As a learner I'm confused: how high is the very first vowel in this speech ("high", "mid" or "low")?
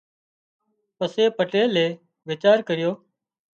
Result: mid